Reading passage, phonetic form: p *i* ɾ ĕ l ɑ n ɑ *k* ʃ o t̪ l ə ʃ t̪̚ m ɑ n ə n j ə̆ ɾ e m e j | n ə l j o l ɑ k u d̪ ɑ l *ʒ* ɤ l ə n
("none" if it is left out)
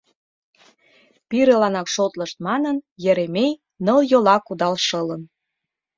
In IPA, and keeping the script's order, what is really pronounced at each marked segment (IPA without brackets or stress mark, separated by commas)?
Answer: i, k, ʃ